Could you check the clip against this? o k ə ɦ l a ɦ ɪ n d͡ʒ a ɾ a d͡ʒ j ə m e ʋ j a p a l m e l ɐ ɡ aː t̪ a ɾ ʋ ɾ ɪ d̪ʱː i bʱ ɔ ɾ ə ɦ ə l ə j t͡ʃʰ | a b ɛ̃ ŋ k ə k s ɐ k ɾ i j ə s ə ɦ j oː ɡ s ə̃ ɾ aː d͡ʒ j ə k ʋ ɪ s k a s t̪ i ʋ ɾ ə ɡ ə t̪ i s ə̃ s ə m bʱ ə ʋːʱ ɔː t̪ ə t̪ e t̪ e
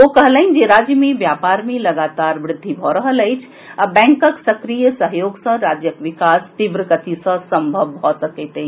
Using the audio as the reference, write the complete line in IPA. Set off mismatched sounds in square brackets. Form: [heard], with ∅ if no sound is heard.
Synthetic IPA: o k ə ɦ l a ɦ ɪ n d͡ʒ [e] ɾ a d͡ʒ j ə m e ʋ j a p a [ɾ] m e l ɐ ɡ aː t̪ a ɾ ʋ ɾ ɪ d̪ʱː i bʱ ɔ ɾ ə ɦ ə l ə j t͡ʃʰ | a b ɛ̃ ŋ k ə k s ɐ k ɾ i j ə s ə ɦ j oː ɡ s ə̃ ɾ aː d͡ʒ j ə k ʋ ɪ [∅] k a s t̪ i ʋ ɾ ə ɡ ə t̪ i s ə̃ s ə m bʱ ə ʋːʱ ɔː t̪ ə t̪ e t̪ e